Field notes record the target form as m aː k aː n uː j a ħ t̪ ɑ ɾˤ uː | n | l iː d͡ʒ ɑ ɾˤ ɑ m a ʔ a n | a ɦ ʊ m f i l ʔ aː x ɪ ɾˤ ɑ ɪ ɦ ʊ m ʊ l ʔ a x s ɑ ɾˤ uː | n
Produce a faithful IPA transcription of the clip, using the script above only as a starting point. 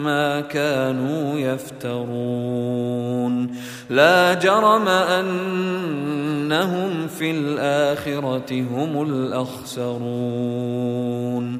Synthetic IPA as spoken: m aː k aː n uː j a f t̪ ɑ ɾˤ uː | n | l aː d͡ʒ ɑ ɾˤ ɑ m a ʔ a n | a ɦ ʊ m f i l ʔ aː x ɪ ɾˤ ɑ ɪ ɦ ʊ m ʊ l ʔ a x s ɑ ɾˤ uː | n